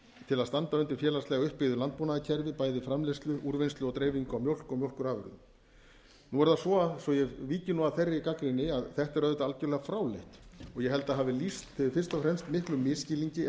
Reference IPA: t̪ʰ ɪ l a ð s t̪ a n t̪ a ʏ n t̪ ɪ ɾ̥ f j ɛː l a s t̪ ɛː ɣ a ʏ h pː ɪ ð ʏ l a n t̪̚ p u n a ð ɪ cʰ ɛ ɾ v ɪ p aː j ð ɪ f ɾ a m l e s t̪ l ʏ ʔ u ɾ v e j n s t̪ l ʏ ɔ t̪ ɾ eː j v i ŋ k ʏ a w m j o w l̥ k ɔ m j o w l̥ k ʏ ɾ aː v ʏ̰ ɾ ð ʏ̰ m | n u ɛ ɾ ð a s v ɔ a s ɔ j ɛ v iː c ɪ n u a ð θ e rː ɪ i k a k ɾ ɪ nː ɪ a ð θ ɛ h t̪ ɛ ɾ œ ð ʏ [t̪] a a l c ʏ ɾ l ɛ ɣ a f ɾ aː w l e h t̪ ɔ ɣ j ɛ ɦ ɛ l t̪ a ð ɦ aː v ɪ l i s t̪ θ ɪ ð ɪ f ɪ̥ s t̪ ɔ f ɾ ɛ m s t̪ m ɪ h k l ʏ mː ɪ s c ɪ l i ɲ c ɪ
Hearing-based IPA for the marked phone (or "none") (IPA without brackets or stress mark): t̪